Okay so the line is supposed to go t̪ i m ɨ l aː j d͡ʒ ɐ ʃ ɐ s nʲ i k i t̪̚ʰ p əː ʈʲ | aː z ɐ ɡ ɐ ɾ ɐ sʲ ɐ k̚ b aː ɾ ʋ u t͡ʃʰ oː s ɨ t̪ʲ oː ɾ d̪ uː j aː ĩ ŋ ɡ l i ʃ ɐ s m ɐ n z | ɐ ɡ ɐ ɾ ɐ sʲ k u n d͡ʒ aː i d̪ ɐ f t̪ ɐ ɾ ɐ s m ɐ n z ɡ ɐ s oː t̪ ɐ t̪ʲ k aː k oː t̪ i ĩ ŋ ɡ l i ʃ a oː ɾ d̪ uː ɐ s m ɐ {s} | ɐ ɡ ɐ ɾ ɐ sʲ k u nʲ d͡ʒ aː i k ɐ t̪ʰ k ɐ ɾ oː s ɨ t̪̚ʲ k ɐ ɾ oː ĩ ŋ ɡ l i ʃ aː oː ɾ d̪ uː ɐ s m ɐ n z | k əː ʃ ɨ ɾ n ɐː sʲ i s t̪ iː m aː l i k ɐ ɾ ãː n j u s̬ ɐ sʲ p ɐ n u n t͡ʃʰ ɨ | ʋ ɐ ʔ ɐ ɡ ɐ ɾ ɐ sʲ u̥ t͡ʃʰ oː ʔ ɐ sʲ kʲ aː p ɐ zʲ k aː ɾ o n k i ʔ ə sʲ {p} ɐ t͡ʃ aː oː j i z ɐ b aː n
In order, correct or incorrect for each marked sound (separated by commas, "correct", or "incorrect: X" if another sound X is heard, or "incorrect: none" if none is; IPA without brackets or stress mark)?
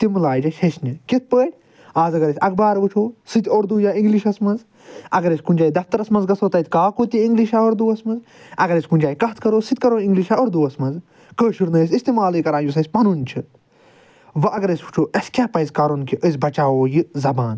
incorrect: z, incorrect: b